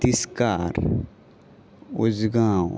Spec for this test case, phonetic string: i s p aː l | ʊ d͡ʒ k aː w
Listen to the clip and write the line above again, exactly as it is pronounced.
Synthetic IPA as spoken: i s k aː ɾ | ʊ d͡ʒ ɡ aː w